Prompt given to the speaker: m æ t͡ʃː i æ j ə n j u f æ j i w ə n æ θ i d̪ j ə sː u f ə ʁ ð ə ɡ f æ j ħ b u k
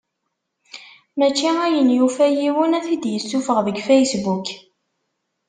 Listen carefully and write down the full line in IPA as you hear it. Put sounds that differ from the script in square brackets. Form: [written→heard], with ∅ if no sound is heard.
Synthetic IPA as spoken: m æ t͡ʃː i æ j ə n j u f æ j i w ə n æ θ i d̪ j ə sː u f ə ʁ ð ə ɡ f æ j [ħ→s] b u k